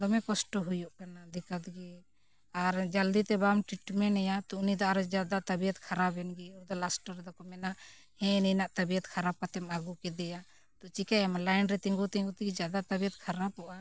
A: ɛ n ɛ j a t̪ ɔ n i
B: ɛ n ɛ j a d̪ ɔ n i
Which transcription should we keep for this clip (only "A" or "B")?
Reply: A